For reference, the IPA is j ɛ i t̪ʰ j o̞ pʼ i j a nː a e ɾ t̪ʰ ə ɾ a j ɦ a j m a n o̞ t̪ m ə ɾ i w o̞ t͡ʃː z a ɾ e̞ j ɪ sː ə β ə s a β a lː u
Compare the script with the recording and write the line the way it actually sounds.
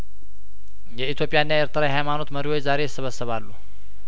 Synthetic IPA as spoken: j ɛ i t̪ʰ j o̞ pʼ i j a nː a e ɾ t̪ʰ ə ɾ a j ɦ a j m a n o̞ t̪ m ə ɾ i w o̞ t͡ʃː z a ɾ e̞ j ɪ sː ə β ə s ə β a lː u